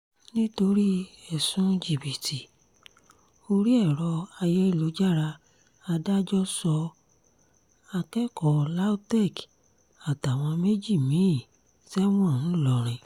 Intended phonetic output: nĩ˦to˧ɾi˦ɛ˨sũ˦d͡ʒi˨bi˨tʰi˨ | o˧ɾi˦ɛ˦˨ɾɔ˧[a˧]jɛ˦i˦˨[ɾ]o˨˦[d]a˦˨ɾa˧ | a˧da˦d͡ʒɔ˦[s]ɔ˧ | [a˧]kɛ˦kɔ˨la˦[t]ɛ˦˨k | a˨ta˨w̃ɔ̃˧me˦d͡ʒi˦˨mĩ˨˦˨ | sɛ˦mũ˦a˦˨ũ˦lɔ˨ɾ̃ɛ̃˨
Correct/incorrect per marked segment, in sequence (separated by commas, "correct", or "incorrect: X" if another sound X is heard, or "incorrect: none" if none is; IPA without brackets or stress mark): correct, incorrect: l, incorrect: d͡ʒ, correct, correct, correct